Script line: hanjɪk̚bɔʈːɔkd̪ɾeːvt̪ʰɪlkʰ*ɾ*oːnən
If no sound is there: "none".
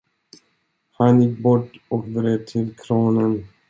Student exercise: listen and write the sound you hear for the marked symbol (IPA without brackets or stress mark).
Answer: ɾ